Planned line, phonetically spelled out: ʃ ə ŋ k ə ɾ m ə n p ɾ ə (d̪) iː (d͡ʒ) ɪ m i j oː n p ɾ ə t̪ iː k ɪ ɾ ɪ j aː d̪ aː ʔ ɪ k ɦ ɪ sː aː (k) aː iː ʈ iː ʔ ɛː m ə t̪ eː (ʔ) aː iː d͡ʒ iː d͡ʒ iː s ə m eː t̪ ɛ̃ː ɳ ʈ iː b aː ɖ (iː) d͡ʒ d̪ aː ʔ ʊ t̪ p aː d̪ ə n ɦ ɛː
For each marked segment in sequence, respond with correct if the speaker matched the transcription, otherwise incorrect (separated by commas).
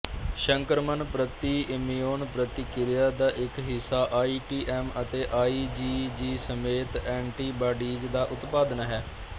incorrect, incorrect, incorrect, correct, correct